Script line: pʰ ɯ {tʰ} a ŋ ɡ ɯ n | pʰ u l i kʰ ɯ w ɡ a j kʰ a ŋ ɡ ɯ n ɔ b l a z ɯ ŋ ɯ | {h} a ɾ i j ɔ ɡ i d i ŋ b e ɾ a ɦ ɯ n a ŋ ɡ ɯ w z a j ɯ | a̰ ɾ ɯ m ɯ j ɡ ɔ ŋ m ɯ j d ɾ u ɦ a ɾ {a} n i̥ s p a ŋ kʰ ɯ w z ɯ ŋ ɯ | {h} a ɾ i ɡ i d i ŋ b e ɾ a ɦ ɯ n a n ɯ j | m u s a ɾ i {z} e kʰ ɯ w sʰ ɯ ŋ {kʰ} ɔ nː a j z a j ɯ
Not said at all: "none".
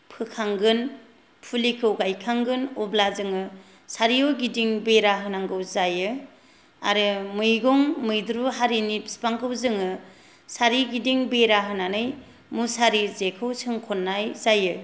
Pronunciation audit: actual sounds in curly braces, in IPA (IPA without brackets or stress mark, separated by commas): kʰ, s, i, s, z, kʰ